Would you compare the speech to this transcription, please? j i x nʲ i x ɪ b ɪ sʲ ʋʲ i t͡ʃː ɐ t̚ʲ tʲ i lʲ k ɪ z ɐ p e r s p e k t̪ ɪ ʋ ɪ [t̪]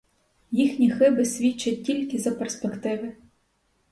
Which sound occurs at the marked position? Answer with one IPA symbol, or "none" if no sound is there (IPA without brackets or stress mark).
none